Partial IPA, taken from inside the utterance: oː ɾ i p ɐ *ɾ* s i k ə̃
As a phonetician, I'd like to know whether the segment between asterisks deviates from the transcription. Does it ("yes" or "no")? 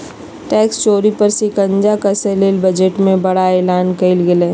no